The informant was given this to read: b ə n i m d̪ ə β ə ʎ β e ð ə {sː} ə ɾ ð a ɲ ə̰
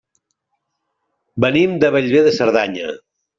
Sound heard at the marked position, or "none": s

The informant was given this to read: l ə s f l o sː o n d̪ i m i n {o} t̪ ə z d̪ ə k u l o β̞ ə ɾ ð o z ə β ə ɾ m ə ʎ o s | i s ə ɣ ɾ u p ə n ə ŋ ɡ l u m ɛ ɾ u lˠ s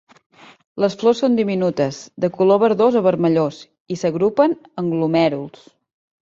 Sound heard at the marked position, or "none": u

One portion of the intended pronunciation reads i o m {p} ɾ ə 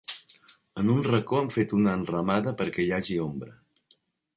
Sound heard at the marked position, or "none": b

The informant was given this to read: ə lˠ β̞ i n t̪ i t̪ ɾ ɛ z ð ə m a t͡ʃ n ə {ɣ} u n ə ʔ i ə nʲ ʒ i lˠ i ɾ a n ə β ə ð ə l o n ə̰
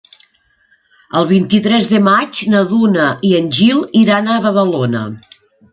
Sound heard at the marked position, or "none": ð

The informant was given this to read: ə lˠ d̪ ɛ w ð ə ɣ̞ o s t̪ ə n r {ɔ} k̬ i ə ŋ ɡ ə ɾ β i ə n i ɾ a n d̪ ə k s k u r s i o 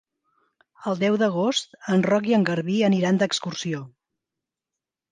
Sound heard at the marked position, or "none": ɔ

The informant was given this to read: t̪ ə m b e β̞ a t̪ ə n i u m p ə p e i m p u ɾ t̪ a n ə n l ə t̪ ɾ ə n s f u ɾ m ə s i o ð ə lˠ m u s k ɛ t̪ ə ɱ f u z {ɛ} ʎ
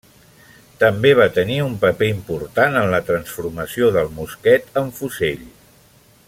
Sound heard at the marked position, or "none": e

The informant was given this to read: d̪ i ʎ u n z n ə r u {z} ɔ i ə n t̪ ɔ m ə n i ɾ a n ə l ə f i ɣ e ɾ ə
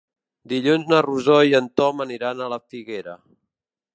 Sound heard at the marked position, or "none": z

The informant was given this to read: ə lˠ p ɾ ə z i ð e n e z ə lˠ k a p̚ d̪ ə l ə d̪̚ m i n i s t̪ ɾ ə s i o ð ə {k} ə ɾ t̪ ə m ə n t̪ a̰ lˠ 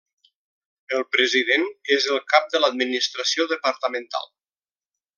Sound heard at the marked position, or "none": p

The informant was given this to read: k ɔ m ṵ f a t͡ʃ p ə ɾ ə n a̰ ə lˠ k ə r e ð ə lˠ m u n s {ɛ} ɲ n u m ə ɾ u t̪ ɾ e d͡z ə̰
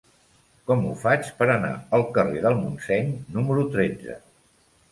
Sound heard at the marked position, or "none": ɛ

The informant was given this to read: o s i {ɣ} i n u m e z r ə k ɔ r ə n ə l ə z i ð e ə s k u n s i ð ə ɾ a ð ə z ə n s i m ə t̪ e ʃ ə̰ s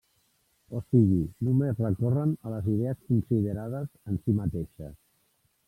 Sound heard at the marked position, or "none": ɣ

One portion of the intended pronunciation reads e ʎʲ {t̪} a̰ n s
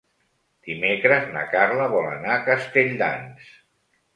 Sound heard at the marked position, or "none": d̪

